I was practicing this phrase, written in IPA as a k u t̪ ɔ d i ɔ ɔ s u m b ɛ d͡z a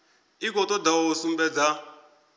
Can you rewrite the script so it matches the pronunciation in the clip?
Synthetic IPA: i k ɔ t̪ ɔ d a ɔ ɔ s u m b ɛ d͡z a